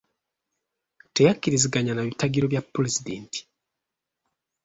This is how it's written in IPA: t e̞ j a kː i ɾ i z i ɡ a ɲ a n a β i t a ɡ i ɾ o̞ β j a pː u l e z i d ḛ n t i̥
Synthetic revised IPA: t e̞ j a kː i ɾ i z i ɡ a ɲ a n a β i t a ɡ i ɾ o̞ β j a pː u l e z i d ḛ n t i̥